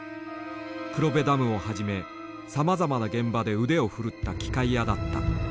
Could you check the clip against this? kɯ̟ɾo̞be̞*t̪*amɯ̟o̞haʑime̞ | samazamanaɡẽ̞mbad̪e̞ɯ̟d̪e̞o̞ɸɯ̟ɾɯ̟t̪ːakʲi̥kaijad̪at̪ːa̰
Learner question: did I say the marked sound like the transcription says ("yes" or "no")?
no